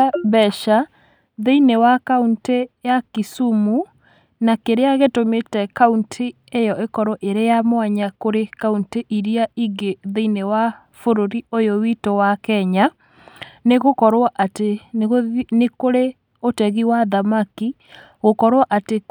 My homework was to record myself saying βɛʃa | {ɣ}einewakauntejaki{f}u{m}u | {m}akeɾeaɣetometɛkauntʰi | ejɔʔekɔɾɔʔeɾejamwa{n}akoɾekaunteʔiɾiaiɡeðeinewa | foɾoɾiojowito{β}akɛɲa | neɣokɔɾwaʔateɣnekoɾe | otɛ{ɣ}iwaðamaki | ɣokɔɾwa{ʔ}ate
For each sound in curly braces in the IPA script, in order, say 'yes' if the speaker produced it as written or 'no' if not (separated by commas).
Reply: no, no, yes, no, no, no, yes, yes